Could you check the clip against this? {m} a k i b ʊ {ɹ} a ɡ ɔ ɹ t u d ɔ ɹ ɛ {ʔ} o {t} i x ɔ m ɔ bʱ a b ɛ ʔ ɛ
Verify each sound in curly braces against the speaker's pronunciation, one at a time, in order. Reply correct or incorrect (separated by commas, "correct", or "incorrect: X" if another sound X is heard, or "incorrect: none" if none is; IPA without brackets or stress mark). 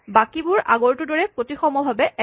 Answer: incorrect: b, correct, incorrect: p, correct